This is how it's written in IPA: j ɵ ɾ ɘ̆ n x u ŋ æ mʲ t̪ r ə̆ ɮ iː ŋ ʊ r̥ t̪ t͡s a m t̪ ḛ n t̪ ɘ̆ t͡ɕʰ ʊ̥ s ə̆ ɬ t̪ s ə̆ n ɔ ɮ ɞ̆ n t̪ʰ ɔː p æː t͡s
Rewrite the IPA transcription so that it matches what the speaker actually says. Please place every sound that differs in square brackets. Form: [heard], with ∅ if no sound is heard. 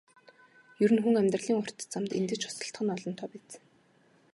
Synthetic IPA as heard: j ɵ ɾ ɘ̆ n x u ŋ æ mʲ t̪ r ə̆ ɮ iː ŋ ʊ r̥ t̪ t͡s a m t̪ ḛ n t̪ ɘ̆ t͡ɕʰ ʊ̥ s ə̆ ɬ t̪ [χ] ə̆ n ɔ ɮ ɞ̆ n t̪ʰ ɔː p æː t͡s